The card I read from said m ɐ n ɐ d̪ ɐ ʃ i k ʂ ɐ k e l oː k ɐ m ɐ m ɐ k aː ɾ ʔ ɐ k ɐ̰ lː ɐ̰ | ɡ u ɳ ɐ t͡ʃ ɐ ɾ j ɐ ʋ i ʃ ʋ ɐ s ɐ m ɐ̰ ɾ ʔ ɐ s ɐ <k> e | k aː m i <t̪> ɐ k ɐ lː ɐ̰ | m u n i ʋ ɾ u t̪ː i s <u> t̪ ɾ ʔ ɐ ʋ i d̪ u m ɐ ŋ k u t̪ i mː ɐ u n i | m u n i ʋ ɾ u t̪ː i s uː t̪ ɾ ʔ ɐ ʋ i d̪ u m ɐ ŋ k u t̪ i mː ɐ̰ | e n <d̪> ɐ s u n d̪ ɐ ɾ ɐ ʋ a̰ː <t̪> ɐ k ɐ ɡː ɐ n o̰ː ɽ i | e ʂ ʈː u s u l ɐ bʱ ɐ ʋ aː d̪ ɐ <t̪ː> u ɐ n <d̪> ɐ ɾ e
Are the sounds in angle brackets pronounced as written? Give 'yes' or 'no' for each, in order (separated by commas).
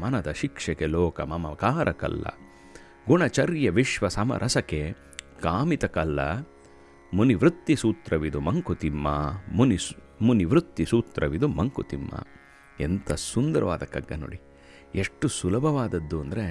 yes, yes, no, no, no, no, yes